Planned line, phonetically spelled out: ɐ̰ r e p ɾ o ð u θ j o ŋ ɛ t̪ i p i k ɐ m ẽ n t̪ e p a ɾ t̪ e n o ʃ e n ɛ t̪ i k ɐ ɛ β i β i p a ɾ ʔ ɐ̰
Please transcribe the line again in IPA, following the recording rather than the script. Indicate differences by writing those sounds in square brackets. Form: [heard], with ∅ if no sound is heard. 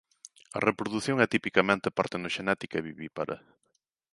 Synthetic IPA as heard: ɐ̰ r e p ɾ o ð u θ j o ŋ ɛ t̪ i p i k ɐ m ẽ n t̪ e p a ɾ t̪ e n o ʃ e n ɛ t̪ i k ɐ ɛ β i β i p a ɾ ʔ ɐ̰